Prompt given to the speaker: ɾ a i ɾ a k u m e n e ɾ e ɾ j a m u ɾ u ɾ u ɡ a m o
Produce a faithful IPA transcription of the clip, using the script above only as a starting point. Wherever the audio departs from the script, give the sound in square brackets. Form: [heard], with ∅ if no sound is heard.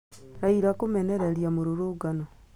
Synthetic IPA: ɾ a i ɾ a k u m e n e ɾ e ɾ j a m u ɾ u ɾ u ɡ a [n] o